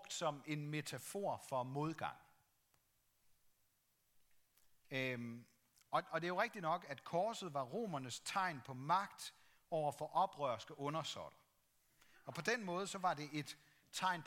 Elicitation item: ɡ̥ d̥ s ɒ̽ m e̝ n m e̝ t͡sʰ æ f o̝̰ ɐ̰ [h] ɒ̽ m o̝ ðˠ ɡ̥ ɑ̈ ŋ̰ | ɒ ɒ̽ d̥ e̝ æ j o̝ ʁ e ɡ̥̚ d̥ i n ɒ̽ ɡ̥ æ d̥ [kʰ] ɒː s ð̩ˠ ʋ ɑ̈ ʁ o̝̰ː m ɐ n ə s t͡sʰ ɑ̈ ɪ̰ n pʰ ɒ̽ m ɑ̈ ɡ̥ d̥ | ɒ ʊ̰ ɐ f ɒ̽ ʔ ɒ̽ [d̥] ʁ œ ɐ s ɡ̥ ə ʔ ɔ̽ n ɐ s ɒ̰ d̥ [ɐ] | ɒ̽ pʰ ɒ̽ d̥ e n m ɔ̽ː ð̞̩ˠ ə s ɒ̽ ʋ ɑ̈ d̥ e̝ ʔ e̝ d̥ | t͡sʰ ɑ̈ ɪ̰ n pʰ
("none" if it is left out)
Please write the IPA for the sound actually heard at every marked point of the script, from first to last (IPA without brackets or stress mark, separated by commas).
f, kʰ, b̥, ɐ